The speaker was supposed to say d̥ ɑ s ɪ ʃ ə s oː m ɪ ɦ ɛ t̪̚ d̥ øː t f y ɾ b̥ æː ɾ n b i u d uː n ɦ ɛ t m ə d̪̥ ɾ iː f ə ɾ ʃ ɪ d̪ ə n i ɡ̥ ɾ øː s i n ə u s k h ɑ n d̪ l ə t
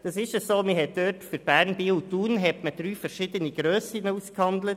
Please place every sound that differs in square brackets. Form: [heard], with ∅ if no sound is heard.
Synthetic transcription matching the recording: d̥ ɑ s ɪ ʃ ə s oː m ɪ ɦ ɛ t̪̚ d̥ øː t f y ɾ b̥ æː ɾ n b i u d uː n ɦ ɛ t m ə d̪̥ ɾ [yː] f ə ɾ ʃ ɪ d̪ ə n i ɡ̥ ɾ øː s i n ə u s k h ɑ n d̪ l ə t